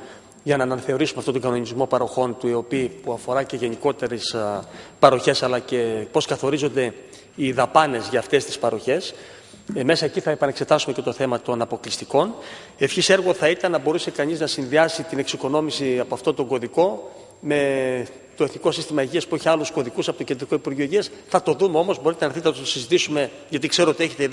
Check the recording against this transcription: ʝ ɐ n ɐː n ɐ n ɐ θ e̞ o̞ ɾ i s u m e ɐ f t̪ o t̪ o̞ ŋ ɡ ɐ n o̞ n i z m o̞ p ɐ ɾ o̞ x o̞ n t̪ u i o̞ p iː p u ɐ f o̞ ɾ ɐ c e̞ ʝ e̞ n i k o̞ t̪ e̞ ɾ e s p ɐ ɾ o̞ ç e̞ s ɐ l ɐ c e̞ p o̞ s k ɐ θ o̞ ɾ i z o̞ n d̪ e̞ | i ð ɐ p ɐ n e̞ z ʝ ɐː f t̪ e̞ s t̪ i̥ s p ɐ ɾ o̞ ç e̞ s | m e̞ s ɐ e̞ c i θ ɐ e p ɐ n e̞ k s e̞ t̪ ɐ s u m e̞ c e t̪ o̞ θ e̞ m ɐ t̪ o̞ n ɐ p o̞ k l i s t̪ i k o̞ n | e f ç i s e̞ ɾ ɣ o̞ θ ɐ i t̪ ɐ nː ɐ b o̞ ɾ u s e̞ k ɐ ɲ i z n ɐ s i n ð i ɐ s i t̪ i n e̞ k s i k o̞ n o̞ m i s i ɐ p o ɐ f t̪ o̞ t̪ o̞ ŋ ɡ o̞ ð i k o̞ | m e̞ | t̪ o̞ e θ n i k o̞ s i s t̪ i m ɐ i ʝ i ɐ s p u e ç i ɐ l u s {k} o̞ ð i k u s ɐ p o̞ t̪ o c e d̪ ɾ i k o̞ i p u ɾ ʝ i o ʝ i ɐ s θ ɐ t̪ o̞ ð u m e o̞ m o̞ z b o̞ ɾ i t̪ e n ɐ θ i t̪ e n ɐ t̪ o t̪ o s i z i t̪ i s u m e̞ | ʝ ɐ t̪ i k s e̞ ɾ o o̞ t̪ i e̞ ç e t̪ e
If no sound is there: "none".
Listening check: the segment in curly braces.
k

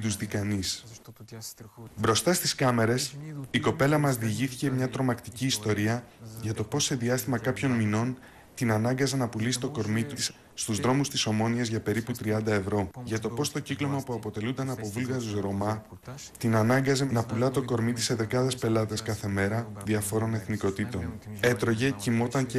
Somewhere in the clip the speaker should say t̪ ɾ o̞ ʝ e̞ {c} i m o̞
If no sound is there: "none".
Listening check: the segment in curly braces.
c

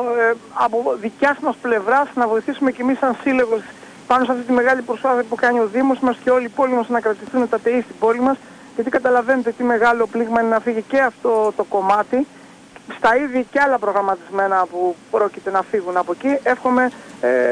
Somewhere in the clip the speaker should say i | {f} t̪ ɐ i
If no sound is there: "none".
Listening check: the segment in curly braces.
s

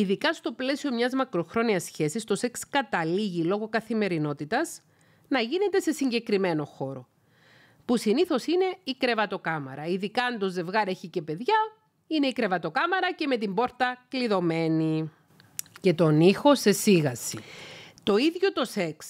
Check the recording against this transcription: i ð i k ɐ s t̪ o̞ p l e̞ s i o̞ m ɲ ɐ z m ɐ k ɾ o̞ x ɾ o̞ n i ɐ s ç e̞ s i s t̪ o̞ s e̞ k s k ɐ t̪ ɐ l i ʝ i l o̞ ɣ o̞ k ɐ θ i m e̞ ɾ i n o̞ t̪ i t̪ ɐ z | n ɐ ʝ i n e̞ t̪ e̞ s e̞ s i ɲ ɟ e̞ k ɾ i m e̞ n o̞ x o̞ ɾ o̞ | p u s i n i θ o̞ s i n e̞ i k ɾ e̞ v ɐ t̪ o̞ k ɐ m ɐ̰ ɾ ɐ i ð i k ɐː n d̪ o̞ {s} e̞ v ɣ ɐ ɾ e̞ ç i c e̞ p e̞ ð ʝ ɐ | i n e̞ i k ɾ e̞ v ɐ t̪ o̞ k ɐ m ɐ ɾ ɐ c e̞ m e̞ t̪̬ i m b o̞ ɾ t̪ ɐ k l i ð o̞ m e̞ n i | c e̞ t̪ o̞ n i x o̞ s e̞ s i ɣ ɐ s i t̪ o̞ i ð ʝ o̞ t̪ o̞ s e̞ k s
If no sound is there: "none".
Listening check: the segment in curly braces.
z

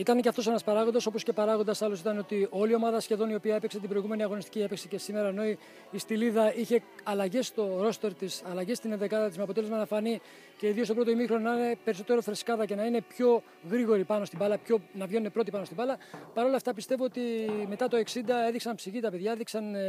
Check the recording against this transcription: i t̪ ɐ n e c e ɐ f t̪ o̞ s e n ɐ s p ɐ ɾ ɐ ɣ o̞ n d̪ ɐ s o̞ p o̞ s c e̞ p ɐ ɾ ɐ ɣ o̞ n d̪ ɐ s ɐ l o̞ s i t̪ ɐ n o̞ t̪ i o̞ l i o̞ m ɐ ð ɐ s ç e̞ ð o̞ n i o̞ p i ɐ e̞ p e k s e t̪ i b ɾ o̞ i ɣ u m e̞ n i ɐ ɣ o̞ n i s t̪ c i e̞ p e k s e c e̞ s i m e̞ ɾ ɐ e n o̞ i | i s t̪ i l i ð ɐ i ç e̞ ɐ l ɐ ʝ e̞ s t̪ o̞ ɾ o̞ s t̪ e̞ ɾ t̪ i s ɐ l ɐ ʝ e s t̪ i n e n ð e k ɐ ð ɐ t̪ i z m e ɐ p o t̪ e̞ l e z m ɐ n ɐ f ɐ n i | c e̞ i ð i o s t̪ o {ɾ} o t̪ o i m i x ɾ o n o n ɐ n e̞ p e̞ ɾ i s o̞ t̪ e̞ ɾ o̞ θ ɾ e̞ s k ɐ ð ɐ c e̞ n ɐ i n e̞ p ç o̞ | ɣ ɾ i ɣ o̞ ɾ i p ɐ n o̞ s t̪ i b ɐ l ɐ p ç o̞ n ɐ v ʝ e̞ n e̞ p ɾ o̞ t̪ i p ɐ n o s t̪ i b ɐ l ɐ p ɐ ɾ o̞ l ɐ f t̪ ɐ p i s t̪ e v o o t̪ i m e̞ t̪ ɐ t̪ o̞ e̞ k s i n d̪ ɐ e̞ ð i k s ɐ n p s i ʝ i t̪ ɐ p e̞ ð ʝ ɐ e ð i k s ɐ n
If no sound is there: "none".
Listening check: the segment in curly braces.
ɾ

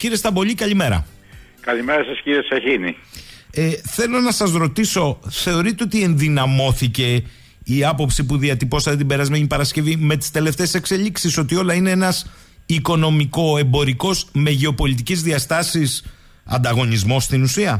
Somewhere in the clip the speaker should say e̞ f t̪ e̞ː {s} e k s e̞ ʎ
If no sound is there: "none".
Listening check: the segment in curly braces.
s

